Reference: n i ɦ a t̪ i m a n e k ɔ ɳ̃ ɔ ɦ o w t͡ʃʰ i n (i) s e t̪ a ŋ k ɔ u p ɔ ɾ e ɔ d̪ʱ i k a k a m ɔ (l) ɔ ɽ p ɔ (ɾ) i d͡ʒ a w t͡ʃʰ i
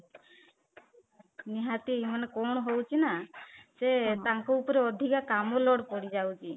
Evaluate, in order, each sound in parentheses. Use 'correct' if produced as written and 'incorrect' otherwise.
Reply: incorrect: a, correct, incorrect: ɽ

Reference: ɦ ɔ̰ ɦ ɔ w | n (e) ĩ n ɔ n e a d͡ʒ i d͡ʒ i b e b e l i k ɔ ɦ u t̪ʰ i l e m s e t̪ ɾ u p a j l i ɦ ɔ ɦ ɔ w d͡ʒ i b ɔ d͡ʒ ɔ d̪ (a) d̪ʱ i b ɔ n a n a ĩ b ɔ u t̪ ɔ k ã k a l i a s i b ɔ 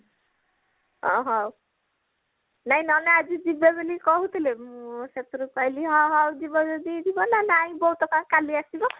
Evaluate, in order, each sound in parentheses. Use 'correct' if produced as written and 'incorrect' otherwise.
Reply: incorrect: a, incorrect: i

